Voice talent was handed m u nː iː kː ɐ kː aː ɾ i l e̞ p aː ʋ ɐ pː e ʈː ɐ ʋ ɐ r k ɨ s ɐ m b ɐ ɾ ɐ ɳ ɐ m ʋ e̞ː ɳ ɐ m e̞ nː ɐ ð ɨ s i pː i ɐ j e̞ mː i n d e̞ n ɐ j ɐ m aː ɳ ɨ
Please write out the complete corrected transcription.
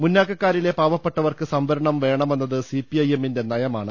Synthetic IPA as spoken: m u nː aː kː ɐ kː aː ɾ i l e̞ p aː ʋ ɐ pː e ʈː ɐ ʋ ɐ r k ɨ s ɐ m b ɐ ɾ ɐ ɳ ɐ m ʋ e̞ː ɳ ɐ m e̞ nː ɐ ð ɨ s i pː i ɐ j e̞ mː i n d e̞ n ɐ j ɐ m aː ɳ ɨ